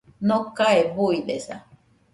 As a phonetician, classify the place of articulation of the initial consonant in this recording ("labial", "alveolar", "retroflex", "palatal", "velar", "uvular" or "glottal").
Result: alveolar